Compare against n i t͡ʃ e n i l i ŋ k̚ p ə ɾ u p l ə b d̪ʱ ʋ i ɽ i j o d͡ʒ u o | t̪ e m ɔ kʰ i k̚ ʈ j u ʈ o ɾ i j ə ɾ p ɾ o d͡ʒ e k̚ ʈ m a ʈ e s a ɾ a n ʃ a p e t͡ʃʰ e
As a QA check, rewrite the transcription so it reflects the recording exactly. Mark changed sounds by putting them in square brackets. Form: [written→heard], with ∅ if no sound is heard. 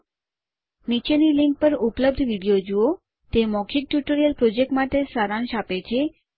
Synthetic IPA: n i t͡ʃ e n i l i ŋ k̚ p ə ɾ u p l ə b d̪ʱ ʋ i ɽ i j o d͡ʒ u o | t̪ e m ɔ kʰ i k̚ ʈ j u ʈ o ɾ i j ə [ɾ→l] p ɾ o d͡ʒ e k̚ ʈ m a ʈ e s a ɾ a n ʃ a p e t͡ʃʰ e

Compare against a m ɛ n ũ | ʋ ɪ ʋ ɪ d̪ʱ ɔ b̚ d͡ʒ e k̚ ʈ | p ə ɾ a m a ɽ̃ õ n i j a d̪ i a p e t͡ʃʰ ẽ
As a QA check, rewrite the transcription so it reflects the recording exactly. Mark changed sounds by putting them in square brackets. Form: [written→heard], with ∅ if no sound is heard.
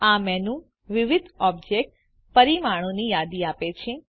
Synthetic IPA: a m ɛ n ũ | ʋ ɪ ʋ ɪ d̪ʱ ɔ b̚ d͡ʒ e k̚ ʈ | p ə ɾ [a→i] m a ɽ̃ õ n i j a d̪ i a p e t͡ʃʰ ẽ

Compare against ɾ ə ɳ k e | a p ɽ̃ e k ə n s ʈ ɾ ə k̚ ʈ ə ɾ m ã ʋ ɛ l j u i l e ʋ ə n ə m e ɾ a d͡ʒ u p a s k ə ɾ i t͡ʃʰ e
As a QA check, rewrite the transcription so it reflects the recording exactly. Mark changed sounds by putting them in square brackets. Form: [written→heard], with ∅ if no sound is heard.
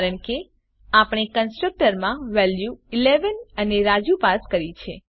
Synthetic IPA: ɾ ə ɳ k e | a p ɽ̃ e k ə n s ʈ ɾ ə k̚ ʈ ə ɾ m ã ʋ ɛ l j u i l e ʋ ə n ə [m→n] e ɾ a d͡ʒ u p a s k ə ɾ i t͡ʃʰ e

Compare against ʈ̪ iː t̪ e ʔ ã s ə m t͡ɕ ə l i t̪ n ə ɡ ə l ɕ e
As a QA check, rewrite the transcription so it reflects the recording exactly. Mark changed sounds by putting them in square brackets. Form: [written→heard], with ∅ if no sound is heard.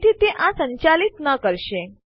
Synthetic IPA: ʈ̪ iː t̪ e ʔ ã s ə [m→ɲ] t͡ɕ [ə→a] l i t̪ n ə [ɡ→k] ə [l→ɾ] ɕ e

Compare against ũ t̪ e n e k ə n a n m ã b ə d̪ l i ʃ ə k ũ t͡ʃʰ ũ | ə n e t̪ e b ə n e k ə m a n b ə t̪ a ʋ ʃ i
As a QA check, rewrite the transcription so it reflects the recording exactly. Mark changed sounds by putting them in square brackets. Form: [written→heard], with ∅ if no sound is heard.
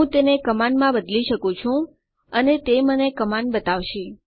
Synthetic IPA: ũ t̪ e n e k ə [n→m] a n m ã b ə d̪ l i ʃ ə k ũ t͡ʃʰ ũ | ə n e t̪ e [b→m] ə n e k ə m a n b ə t̪ a ʋ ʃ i

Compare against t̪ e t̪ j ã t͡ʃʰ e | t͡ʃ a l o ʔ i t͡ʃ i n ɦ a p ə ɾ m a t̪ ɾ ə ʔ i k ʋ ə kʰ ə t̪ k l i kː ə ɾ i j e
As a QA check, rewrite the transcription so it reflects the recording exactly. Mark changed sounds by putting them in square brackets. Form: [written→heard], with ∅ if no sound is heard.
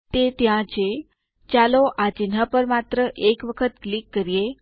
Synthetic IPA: t̪ e t̪ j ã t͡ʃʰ e | t͡ʃ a l o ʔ [i→a] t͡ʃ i n ɦ a p ə ɾ m a t̪ ɾ ə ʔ [i→e] k ʋ ə kʰ ə t̪ k l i kː ə ɾ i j e

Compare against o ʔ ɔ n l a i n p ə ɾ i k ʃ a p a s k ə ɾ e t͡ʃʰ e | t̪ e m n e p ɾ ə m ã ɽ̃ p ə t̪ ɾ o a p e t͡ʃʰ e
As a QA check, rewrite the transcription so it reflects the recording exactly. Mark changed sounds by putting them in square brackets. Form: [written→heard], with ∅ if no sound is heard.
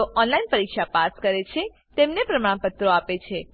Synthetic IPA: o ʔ ɔ n l a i n p ə ɾ i k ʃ a p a s k ə ɾ e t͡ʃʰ e | t̪ e m n e p ɾ ə m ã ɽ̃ p ə t̪ ɾ o a p e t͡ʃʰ e

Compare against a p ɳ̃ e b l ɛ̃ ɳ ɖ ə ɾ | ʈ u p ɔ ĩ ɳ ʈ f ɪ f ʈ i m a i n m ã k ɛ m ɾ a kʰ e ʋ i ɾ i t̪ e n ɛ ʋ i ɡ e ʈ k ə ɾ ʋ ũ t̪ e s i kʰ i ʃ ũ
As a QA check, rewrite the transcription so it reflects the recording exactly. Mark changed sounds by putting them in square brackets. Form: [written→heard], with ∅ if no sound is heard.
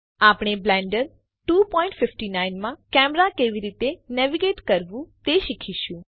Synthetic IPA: a p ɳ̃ e b l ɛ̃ ɳ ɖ ə ɾ | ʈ u p ɔ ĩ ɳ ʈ f ɪ f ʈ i [m→n] a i n m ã k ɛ m ɾ a [kʰ→k] e ʋ i ɾ i t̪ e n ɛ ʋ i ɡ e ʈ k ə ɾ ʋ ũ t̪ e [s→ʃ] i kʰ i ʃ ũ

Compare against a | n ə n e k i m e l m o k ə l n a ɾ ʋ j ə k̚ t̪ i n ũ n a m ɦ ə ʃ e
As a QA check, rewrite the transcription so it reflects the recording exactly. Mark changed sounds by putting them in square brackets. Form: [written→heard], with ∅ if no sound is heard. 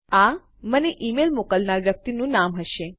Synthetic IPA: a | [n→m] ə n e [k→ʔ] i m e l m o k ə l n a ɾ ʋ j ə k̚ t̪ i n ũ n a m ɦ ə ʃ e

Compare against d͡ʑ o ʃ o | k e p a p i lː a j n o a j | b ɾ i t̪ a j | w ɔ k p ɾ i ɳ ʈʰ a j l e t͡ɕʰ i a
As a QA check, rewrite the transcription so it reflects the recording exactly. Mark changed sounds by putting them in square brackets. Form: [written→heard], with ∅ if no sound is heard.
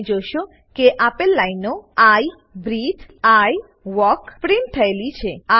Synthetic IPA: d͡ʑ o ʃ o | k e [p→ʔ] a p [i→e] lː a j n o a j | b ɾ i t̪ a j | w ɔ k p ɾ i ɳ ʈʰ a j l [e→i] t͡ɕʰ [i→e] a

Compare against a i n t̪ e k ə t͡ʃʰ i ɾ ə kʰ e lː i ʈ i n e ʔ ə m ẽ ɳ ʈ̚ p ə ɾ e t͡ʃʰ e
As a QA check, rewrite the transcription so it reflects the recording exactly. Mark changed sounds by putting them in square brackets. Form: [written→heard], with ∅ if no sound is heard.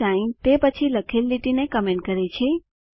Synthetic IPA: a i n t̪ e [k→p] ə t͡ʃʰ i [ɾ→l] ə kʰ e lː i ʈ i n e [ʔ→k] ə m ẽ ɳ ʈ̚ [p→k] ə ɾ e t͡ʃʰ e

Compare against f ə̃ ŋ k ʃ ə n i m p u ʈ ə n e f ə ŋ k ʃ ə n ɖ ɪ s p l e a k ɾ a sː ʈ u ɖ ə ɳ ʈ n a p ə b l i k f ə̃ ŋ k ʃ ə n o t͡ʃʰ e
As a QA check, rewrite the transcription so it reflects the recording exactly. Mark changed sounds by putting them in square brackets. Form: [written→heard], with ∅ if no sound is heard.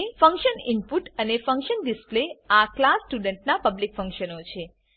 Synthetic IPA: f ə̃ ŋ k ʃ ə n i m p u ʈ ə n e f ə ŋ k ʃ ə n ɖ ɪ s p l e a k [ɾ→l] a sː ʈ u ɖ ə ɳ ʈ n a p ə b l i k f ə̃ ŋ k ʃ ə n o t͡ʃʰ e

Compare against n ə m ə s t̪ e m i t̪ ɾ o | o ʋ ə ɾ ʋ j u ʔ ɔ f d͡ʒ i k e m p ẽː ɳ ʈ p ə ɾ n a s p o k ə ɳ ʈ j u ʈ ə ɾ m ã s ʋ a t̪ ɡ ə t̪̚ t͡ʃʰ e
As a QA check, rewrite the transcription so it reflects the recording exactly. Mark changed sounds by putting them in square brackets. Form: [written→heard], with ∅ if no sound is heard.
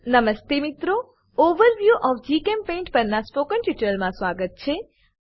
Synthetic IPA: n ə m ə s t̪ e m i t̪ ɾ o | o ʋ ə ɾ ʋ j u ʔ ɔ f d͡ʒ i k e m p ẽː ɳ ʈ p ə ɾ n a s p o k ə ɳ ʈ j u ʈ ə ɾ m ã s ʋ a [t̪→∅] ɡ ə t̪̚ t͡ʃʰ e

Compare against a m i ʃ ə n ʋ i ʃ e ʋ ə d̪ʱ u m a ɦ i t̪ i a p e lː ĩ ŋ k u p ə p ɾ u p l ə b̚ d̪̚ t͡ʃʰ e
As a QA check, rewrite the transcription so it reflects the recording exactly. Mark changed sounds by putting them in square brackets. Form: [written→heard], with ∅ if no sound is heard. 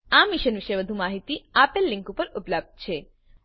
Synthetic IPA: a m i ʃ ə n ʋ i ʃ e ʋ ə d̪ʱ u m a ɦ i t̪ i a p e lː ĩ ŋ k u p ə [p→∅] ɾ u p l ə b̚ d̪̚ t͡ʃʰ e

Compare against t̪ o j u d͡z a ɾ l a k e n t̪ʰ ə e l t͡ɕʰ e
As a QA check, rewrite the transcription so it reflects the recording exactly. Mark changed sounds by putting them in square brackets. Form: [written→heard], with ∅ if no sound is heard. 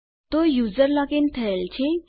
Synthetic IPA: t̪ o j u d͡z [a→ə] ɾ l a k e n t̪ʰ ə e l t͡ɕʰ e

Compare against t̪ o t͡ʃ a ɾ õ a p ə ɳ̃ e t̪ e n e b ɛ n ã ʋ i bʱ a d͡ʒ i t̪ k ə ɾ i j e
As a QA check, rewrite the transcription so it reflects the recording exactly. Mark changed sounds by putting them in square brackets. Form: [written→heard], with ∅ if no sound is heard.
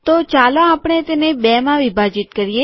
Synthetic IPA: t̪ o t͡ʃ a [ɾ→l] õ a p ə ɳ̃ e t̪ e n e b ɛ [n→m] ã ʋ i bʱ a d͡ʒ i t̪ k ə ɾ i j e

